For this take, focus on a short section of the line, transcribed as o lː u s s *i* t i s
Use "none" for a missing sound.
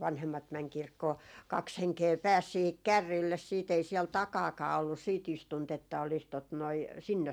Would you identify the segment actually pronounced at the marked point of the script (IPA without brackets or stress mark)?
iː